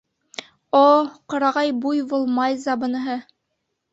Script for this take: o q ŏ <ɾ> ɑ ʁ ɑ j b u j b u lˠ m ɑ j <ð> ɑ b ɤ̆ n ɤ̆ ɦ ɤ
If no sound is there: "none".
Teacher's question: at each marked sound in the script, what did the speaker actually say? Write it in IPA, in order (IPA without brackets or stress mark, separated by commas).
ɾ, z